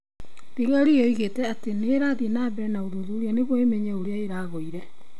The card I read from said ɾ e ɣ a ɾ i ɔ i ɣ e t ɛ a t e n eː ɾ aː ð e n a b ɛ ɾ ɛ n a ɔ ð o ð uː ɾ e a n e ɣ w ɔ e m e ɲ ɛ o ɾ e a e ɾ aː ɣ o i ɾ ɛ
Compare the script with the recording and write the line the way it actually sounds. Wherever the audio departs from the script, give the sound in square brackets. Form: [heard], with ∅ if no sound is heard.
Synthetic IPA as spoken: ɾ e ɣ a ɾ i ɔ i ɣ e t ɛ a t e n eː ɾ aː ð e n a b ɛ ɾ ɛ n a [o] ð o ð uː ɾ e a n e ɣ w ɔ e m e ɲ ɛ o ɾ e a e ɾ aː ɣ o i ɾ ɛ